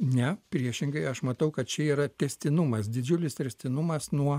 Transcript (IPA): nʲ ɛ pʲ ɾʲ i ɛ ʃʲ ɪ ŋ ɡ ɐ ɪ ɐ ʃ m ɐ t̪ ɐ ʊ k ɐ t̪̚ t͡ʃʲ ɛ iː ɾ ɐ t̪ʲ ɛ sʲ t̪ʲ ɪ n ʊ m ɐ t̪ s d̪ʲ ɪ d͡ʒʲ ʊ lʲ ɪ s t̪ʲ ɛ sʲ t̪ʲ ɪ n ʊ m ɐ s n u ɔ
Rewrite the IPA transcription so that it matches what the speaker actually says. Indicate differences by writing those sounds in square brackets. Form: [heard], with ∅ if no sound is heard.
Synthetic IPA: nʲ ɛ pʲ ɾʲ i ɛ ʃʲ ɪ ŋ ɡ ɐ ɪ ɐ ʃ m ɐ t̪ ɐ ʊ k ɐ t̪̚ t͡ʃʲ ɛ iː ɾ ɐ t̪ʲ ɛ sʲ t̪ʲ ɪ n ʊ m ɐ [∅] s d̪ʲ ɪ d͡ʒʲ ʊ lʲ ɪ s t̪ʲ ɛ sʲ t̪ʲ ɪ n ʊ m ɐ s n u ɔ